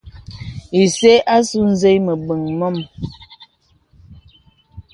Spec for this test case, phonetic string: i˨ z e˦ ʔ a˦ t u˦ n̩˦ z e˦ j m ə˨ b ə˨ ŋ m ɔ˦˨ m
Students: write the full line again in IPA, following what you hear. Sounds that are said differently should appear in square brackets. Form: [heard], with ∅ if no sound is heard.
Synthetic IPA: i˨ [s] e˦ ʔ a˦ [s] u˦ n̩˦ z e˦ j m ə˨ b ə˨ ŋ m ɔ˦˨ m